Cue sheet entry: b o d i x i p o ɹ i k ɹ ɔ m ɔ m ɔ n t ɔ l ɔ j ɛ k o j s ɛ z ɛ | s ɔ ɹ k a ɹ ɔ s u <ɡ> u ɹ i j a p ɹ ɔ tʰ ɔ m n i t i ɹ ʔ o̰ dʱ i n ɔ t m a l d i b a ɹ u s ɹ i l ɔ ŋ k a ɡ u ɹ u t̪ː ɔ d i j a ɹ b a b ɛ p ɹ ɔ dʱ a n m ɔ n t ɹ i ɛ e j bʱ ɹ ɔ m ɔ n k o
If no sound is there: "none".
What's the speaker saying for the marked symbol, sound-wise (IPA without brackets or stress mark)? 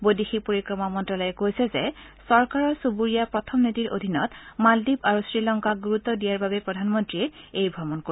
b